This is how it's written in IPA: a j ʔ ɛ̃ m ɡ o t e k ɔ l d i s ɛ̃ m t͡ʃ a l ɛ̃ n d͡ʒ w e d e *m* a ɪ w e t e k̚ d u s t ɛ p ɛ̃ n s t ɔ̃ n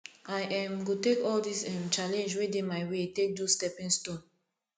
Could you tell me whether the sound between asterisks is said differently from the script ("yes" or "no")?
no